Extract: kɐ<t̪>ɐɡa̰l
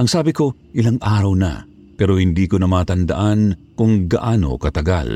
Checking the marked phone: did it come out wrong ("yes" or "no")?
no